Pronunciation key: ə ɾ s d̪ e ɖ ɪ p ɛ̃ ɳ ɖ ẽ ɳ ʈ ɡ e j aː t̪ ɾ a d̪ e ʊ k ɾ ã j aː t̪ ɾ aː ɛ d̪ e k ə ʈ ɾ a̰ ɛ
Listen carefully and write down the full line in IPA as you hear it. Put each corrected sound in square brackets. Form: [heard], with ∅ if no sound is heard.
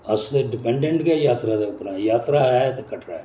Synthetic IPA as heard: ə [∅] s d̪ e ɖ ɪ p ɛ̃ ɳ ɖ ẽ ɳ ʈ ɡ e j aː t̪ ɾ a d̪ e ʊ [p] ɾ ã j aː t̪ ɾ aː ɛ [t̪] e k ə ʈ ɾ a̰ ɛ